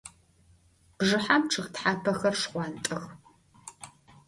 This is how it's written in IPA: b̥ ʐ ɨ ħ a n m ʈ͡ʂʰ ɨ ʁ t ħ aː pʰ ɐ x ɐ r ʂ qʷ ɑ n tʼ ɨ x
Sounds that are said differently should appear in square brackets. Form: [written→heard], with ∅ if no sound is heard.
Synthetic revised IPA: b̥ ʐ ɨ ħ a [n→∅] m ʈ͡ʂʰ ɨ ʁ t ħ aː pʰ ɐ x ɐ r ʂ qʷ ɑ n tʼ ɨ x